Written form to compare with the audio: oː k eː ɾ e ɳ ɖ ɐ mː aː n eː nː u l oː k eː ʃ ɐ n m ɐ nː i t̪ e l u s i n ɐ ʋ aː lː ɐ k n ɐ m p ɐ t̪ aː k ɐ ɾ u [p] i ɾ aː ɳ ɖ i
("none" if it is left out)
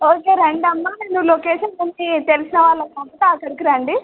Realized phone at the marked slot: k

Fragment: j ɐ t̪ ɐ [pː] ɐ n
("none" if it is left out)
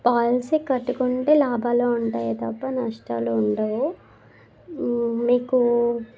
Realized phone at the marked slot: pː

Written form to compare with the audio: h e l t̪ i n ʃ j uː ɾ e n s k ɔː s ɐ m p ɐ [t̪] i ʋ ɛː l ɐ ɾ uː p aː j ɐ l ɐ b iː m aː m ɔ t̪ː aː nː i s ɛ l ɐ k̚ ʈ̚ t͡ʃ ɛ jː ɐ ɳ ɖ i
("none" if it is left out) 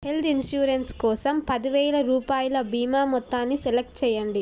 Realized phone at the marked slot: d̪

